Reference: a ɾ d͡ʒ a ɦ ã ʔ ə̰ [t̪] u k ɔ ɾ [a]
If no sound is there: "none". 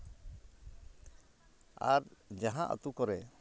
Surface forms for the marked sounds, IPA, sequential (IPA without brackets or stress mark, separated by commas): t̪, ɛ